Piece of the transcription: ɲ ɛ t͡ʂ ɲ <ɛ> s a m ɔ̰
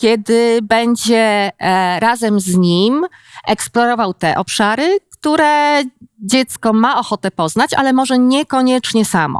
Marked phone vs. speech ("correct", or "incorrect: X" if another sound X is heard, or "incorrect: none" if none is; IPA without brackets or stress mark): correct